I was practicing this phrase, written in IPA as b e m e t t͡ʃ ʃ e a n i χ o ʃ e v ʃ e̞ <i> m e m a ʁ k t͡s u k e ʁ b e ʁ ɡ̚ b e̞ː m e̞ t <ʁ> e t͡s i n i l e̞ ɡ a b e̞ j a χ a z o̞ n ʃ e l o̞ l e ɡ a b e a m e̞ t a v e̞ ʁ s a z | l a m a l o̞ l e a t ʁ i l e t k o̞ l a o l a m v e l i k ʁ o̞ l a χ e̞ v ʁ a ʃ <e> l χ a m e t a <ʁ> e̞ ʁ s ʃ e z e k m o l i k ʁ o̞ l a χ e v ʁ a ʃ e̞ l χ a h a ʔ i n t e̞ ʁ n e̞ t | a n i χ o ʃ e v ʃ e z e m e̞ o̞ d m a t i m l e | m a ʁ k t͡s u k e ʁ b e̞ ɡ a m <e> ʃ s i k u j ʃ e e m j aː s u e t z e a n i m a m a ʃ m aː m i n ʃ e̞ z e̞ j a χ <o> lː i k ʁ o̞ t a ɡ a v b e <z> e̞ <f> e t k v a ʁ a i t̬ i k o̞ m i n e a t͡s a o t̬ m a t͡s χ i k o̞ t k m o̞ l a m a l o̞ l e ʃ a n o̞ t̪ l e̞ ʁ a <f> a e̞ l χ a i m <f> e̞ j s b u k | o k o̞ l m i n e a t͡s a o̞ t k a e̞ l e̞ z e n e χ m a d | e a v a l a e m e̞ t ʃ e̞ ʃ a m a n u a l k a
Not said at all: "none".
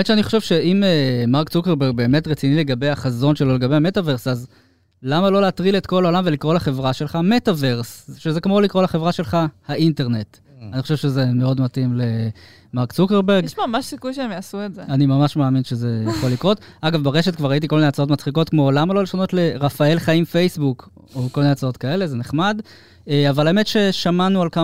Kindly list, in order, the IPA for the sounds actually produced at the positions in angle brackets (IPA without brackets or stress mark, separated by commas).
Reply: i, ʁ, e, v, a, o, ʁ, ʃ, f, f